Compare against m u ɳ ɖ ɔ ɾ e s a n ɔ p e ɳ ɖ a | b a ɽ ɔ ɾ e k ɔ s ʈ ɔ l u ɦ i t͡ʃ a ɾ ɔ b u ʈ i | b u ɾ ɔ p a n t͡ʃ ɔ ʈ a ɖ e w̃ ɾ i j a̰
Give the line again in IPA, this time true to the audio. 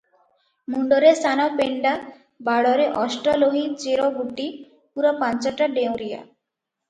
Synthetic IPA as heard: m u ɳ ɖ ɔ ɾ e s a n ɔ p e ɳ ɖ a | b a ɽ ɔ ɾ e ʔ ɔ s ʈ ɔ l o ɦ i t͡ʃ e ɾ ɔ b u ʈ i | p u ɾ ɔ p a n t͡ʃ ɔ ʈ a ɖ e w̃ ɾ i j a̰